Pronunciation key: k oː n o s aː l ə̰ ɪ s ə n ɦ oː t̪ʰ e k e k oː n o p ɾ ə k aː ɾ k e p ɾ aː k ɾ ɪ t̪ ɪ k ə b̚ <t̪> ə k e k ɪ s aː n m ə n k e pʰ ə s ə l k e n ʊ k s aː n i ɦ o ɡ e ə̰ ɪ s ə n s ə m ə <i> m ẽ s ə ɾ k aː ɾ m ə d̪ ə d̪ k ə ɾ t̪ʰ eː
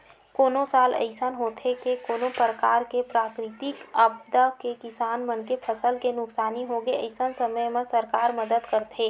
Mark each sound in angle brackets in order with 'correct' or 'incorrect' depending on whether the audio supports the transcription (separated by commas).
incorrect, incorrect